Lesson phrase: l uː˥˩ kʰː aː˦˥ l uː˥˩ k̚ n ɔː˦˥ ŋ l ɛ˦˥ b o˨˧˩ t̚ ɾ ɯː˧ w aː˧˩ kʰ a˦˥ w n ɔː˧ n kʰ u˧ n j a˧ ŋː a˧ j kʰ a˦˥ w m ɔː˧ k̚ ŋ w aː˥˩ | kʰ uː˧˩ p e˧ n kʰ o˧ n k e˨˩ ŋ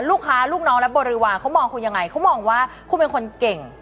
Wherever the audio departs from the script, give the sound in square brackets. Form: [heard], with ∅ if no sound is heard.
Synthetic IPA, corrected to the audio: l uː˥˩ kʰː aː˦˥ l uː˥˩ k̚ n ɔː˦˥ ŋ l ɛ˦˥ b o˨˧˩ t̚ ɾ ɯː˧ w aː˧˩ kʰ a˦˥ w [m] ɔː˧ [ŋ] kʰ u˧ n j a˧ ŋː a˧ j kʰ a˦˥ w m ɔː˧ [∅] ŋ w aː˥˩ | kʰ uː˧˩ p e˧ n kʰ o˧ n k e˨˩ ŋ